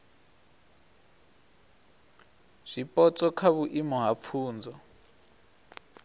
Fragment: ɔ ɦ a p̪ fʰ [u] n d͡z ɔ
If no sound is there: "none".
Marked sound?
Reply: uː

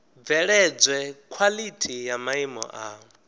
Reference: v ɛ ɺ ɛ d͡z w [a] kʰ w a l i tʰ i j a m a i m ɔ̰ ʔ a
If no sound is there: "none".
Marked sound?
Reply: ɛ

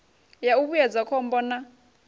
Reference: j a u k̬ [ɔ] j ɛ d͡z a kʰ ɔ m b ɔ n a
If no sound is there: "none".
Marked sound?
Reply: u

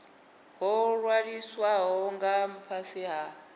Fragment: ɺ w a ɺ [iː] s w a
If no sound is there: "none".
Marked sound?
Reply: i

